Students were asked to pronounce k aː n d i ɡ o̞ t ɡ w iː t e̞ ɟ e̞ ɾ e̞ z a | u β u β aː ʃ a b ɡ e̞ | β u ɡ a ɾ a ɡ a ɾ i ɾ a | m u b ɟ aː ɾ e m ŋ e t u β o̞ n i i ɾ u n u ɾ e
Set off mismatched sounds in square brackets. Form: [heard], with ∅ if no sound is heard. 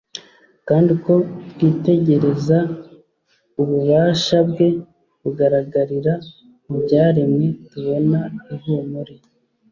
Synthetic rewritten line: k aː n d i [k] o̞ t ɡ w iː t e̞ ɟ e̞ ɾ e̞ z a | u β u β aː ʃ a b ɡ e̞ | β u ɡ a ɾ a ɡ a ɾ i ɾ a | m u b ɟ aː ɾ e m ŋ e t u β o̞ n [a] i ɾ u [m] u ɾ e